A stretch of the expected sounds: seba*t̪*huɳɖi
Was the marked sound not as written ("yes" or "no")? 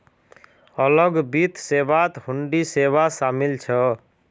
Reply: no